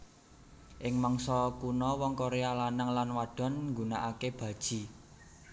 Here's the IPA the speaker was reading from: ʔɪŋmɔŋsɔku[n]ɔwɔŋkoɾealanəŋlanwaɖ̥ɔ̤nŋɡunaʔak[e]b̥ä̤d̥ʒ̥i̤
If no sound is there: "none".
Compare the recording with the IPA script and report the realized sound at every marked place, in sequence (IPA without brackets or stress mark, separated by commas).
n, e